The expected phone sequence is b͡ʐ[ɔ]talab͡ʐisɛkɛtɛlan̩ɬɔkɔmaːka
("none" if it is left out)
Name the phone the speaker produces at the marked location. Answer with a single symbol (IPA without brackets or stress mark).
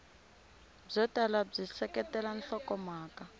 ɔ